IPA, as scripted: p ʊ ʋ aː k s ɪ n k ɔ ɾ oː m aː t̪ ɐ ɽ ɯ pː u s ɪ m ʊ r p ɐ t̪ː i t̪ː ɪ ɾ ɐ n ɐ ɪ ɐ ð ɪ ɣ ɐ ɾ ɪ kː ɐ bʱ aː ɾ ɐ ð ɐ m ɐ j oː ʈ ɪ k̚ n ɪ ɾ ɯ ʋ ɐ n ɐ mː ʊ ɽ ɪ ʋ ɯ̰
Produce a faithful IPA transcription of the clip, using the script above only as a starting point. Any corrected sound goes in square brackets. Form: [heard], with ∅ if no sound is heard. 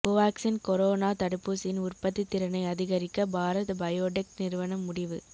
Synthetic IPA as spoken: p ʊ ʋ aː k s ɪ n k ɔ ɾ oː [n] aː t̪ ɐ ɽ ɯ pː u s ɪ [n] ʊ r p ɐ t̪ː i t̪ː ɪ ɾ ɐ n ɐ ɪ ɐ ð ɪ ɣ ɐ ɾ ɪ kː ɐ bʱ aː ɾ ɐ ð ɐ [b] ɐ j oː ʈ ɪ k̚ n ɪ ɾ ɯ ʋ ɐ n ɐ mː ʊ ɽ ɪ ʋ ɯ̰